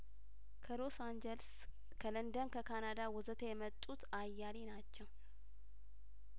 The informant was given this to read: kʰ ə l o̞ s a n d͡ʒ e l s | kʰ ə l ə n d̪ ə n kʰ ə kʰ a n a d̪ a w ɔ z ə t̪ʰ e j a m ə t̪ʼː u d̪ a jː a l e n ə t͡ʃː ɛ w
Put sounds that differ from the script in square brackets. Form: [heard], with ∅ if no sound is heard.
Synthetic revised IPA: kʰ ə l o̞ s a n d͡ʒ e l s | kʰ ə l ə n d̪ ə n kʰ ə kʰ a n a d̪ a w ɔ z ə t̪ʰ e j [ɛ] m ə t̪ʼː u [t̪] a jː a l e n [a] t͡ʃː ɛ w